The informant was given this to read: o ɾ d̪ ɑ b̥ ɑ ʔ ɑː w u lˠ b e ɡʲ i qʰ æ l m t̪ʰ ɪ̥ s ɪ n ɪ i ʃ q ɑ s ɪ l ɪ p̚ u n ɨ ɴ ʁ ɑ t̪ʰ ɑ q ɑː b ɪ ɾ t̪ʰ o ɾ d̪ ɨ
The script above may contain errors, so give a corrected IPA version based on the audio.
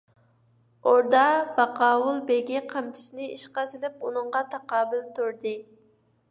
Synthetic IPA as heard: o ɾ d̪ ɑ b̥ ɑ q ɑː w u lˠ b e ɡʲ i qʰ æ m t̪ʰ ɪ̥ s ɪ n ɪ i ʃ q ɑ s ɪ l ɪ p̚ u n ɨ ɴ ʁ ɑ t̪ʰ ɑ q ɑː b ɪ l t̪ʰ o ɾ d̪ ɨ